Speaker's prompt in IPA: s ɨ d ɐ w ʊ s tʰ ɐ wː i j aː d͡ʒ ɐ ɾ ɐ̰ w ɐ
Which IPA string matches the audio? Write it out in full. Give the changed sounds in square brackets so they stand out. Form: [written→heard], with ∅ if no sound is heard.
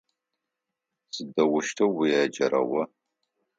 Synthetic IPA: s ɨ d ɐ w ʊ [s→ʃ] tʰ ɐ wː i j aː d͡ʒ ɐ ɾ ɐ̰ w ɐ